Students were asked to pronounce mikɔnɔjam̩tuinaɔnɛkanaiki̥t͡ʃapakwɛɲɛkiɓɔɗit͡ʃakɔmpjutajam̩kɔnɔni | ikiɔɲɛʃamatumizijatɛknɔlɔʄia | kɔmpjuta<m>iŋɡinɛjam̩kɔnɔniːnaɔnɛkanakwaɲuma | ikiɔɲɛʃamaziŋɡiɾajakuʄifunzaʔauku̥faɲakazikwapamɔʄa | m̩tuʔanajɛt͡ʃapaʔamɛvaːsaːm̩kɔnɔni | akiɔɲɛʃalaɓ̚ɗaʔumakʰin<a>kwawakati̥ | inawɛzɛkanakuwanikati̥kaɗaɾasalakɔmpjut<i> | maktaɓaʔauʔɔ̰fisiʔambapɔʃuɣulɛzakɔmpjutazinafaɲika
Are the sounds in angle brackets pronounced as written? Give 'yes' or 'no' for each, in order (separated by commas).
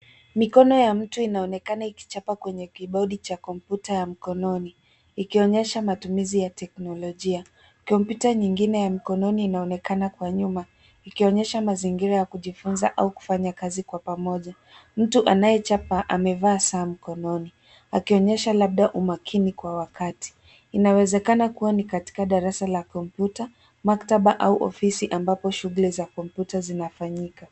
no, no, no